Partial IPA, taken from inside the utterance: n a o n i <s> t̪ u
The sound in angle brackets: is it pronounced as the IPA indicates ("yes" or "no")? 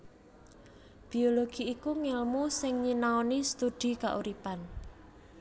yes